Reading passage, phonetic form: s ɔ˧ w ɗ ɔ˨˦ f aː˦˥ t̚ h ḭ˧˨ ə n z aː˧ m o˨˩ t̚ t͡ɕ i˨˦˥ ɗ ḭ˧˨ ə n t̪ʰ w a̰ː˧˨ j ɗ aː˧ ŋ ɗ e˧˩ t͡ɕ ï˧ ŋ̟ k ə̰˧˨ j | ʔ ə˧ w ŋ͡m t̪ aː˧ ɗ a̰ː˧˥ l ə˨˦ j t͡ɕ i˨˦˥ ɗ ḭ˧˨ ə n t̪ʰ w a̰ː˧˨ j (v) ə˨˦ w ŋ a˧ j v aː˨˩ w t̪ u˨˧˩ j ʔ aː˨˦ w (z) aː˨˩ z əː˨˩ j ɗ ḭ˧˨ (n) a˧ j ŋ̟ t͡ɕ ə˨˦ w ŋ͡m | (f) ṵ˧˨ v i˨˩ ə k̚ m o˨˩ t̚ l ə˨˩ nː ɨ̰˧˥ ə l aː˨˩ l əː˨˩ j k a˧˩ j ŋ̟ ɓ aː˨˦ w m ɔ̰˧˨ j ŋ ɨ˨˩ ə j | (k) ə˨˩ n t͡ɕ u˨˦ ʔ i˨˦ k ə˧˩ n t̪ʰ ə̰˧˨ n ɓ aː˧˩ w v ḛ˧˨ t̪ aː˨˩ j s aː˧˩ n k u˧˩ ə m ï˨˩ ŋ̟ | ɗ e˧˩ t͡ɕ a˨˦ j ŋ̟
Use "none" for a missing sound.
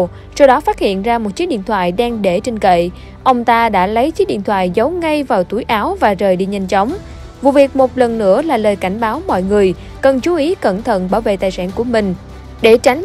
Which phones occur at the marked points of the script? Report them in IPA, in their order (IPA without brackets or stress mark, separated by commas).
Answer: z, v, ɲ, v, k